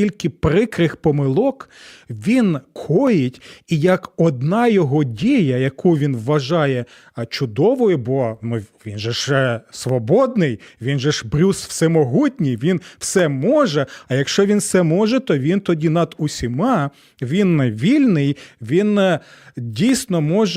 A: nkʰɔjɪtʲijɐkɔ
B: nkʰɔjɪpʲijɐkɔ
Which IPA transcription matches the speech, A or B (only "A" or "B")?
A